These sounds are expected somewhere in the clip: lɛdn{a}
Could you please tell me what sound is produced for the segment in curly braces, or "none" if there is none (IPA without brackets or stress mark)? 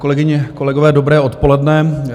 ɛ